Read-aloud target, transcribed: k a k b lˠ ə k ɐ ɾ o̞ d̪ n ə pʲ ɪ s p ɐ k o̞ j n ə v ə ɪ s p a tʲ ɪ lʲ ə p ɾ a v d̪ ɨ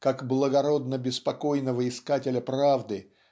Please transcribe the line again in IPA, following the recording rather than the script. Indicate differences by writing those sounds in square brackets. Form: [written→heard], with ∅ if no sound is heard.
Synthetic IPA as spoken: k a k b lˠ ə [k→ɡ] ɐ ɾ o̞ d̪ n ə [pʲ→bʲ] ɪ s p ɐ k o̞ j n ə v ə ɪ s [p→k] a tʲ ɪ lʲ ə p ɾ a v d̪ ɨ